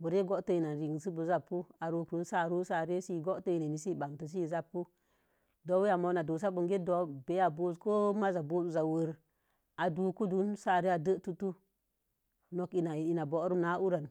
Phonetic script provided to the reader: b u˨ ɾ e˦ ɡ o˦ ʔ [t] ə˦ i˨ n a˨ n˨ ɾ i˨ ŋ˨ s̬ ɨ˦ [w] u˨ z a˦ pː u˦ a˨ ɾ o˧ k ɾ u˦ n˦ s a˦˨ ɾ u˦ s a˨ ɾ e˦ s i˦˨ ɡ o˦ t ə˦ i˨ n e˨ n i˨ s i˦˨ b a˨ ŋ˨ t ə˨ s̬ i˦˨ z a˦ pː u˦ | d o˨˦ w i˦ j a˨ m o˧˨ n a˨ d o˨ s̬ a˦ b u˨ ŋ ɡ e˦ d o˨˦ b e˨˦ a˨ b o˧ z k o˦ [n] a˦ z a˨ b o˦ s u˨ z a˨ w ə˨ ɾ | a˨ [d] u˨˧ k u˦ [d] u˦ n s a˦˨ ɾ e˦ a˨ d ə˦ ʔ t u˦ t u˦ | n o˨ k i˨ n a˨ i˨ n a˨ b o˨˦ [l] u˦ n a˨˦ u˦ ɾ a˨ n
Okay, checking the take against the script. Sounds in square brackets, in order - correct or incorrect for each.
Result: correct, incorrect, incorrect, correct, correct, incorrect

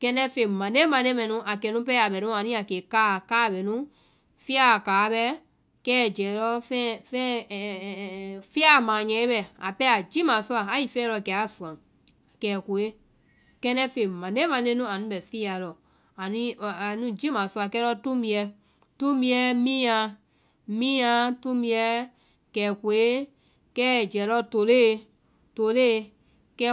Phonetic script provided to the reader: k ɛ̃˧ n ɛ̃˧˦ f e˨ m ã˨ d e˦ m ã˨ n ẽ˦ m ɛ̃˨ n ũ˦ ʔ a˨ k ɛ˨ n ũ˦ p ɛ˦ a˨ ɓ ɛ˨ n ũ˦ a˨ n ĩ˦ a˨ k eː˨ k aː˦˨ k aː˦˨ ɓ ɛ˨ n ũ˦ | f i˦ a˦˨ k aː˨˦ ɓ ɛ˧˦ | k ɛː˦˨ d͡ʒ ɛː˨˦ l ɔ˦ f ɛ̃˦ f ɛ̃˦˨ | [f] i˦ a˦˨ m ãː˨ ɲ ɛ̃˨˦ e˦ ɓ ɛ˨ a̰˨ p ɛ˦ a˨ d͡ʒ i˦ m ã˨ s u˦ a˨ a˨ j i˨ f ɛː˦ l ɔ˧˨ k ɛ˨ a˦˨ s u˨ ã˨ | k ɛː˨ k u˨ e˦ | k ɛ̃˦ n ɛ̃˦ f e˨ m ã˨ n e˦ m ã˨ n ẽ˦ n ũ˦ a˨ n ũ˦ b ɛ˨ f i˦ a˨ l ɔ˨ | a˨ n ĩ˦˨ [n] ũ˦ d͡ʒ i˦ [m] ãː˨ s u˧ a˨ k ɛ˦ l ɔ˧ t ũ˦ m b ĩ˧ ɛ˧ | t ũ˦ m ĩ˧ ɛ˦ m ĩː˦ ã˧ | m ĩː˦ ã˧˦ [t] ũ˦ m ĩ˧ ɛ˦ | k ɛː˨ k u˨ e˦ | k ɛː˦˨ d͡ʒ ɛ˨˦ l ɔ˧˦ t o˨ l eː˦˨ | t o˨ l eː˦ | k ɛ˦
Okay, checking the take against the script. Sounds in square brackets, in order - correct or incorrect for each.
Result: correct, correct, correct, correct

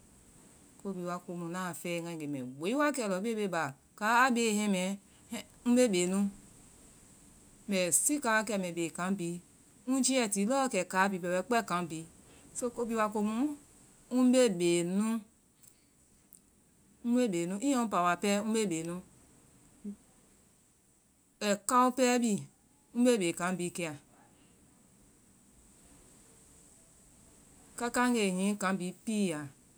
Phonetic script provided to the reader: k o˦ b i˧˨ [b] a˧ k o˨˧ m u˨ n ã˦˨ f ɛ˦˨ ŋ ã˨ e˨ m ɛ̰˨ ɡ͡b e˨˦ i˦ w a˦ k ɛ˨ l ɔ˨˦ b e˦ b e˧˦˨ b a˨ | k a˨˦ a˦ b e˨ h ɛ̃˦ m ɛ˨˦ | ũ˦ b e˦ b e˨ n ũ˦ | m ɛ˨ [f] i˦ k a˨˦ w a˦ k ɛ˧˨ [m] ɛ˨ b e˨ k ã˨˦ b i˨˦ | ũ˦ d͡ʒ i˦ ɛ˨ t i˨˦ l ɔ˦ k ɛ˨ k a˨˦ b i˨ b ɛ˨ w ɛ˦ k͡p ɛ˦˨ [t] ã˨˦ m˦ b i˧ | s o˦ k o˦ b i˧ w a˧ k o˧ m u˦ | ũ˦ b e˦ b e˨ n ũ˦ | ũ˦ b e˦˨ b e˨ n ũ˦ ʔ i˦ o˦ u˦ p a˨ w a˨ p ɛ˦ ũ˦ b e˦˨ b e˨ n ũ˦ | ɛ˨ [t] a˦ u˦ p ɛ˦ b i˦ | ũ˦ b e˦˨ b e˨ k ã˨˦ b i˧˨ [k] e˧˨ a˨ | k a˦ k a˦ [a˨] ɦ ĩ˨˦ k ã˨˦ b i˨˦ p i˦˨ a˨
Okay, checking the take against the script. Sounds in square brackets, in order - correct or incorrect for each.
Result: incorrect, incorrect, correct, incorrect, incorrect, correct, incorrect

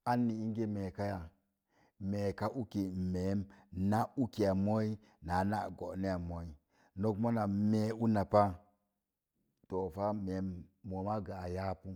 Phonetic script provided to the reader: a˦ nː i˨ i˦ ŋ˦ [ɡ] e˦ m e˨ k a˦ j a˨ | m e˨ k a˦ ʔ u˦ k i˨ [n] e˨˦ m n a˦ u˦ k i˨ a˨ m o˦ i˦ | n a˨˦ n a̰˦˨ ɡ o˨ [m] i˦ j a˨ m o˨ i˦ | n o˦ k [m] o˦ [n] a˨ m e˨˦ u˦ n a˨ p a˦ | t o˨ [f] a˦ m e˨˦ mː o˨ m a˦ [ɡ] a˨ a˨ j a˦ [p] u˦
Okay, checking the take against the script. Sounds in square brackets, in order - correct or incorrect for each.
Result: correct, incorrect, incorrect, correct, correct, correct, correct, correct

